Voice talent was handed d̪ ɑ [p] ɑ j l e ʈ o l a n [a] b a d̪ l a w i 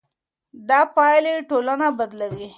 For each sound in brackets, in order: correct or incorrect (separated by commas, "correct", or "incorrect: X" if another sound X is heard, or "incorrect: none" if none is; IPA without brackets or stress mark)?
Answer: correct, correct